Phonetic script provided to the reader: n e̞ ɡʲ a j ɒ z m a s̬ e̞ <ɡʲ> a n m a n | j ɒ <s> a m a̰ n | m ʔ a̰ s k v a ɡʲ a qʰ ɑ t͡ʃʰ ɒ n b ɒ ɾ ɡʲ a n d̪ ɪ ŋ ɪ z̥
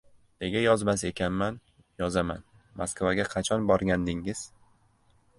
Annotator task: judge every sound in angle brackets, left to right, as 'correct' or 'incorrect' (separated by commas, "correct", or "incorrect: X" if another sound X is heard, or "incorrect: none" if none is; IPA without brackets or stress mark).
incorrect: kʲ, incorrect: z